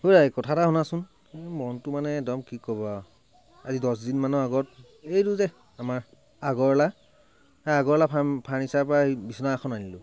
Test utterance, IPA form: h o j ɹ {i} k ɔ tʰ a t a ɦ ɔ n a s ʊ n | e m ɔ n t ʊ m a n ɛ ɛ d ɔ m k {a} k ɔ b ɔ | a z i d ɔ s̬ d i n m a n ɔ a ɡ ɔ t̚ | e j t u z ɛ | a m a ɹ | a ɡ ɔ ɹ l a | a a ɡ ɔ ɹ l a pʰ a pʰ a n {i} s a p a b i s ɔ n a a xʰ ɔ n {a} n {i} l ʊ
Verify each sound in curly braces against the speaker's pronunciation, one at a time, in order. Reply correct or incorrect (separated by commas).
incorrect, incorrect, correct, correct, correct